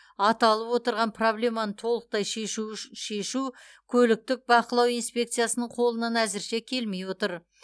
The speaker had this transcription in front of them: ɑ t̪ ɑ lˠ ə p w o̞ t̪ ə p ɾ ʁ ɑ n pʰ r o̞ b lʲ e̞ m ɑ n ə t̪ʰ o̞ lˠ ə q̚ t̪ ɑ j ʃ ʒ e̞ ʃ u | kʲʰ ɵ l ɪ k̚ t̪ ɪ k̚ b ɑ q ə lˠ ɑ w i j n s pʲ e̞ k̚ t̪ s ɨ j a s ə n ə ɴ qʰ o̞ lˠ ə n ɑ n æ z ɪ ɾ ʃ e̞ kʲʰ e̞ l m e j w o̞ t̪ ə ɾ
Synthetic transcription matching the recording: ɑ t̪ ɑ lˠ ə p w o̞ t̪ ə ɾ ʁ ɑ n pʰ r o̞ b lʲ e̞ m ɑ n ə t̪ʰ o̞ lˠ ə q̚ t̪ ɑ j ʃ ʃ e̞ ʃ u | kʲʰ ɵ l ɪ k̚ t̪ ɪ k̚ b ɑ q ə lˠ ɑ w i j n s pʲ e̞ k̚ t̪ s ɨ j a s ə n ə ɴ qʰ o̞ lˠ ə n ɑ n æ z ɪ ɾ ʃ e̞ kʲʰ e̞ l m e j w o̞ t̪ ə ɾ